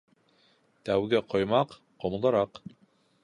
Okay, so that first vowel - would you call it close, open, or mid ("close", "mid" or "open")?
open